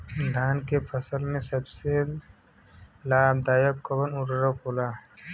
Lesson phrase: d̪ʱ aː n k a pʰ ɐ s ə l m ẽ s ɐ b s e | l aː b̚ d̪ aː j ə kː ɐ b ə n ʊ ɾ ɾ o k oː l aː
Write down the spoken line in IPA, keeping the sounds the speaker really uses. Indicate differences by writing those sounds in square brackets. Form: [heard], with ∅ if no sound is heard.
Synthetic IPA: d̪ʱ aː n k [e] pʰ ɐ s ə l m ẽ s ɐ b s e | l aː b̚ d̪ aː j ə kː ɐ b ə n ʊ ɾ ɾ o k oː l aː